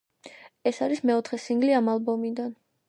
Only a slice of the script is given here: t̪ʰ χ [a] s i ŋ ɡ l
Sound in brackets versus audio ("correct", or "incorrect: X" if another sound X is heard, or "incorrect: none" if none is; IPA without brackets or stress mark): incorrect: ɛ